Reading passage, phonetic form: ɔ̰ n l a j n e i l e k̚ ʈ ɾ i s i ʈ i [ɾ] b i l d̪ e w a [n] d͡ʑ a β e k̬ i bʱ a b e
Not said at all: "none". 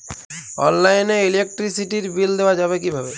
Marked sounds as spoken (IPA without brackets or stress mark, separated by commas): ɾ, none